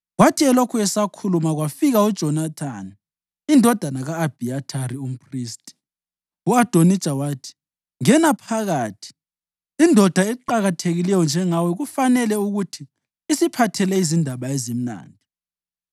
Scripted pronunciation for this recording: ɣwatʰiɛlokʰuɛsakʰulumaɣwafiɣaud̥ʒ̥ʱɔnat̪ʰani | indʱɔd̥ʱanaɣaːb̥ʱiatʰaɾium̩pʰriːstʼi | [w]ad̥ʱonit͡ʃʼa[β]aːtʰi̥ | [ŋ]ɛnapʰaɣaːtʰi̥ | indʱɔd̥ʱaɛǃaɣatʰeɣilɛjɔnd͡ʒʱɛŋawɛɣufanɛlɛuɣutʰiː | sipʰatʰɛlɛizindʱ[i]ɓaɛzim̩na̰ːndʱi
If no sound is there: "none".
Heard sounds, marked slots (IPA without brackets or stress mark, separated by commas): u, w, ŋ, a